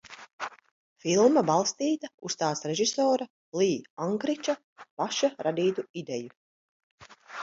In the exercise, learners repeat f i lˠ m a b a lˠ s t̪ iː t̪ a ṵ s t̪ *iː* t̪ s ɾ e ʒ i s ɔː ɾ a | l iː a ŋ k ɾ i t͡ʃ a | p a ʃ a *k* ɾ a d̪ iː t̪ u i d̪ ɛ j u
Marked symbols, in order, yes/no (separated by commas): no, no